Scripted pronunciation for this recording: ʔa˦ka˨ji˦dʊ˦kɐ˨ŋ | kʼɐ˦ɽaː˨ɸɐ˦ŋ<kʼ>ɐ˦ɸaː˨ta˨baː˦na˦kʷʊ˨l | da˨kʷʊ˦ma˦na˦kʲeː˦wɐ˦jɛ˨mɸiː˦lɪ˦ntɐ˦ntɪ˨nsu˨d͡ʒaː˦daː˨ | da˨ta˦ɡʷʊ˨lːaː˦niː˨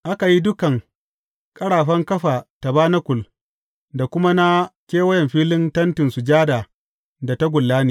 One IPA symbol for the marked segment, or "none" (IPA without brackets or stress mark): k